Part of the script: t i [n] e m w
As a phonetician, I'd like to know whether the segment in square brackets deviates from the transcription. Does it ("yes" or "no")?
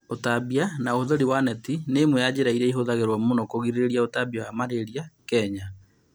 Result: no